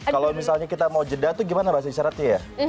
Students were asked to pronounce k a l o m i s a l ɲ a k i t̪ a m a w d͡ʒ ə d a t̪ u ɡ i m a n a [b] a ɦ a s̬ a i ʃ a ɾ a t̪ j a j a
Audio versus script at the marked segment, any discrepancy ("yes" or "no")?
no